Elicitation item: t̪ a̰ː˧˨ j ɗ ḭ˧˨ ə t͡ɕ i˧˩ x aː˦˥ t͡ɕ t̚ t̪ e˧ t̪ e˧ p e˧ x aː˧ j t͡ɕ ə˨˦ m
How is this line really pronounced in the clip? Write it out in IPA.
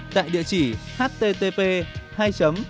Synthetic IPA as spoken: t̪ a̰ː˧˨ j ɗ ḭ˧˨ ə t͡ɕ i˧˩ h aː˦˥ t̚ t̪ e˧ t̪ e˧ p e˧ h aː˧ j t͡ɕ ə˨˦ m